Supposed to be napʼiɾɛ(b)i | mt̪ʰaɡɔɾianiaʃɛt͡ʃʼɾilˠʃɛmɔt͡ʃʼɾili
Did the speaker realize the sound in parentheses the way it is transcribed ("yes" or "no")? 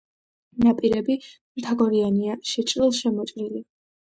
yes